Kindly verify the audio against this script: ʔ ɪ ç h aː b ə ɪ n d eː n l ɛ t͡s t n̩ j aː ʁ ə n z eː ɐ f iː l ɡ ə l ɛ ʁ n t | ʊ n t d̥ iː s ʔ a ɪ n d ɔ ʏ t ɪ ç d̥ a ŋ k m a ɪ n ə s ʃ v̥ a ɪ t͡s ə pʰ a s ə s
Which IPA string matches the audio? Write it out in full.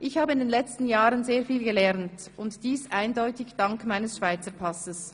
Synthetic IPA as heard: ʔ ɪ ç h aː b ə ɪ n d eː n l ɛ t͡s t n̩ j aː ʁ ə n z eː ɐ f iː l ɡ ə l ɛ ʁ n t | ʊ n t d̥ iː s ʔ a ɪ n d ɔ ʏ t ɪ ç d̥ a ŋ k m a ɪ n ə s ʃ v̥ a ɪ t͡s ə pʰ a s ə s